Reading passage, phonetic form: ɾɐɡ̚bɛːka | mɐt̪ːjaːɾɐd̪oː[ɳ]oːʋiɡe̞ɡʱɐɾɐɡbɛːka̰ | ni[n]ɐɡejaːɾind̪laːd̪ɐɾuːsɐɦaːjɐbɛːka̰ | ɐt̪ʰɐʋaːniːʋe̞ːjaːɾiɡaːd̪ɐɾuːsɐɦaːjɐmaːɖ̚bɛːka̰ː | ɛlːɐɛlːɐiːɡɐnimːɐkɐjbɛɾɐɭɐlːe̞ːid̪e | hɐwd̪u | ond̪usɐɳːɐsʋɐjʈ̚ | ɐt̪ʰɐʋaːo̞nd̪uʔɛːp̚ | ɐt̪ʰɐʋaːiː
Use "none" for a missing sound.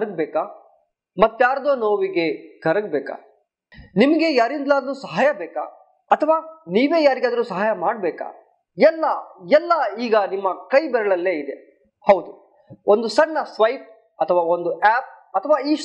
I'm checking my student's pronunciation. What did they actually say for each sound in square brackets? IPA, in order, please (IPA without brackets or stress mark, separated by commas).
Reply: n, m